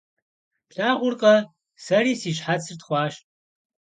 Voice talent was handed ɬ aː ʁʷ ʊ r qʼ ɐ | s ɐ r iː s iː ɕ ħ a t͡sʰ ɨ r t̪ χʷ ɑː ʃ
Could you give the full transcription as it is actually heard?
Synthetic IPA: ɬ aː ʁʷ ʊ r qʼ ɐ | s ɐ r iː s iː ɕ ħ a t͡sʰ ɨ r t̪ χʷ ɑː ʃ